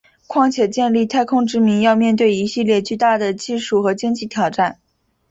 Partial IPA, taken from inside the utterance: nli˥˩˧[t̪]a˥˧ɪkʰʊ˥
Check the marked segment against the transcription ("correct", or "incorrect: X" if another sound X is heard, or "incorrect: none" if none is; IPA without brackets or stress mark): incorrect: t̪ʰ